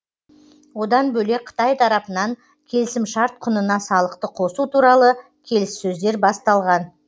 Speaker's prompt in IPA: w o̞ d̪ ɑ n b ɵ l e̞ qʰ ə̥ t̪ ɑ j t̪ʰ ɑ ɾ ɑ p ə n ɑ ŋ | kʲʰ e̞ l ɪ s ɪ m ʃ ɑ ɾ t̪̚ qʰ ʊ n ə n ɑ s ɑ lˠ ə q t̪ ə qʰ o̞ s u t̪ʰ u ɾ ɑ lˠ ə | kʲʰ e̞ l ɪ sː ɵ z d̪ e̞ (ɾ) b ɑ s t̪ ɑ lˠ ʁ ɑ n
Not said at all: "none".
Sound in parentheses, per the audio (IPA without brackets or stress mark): ɾ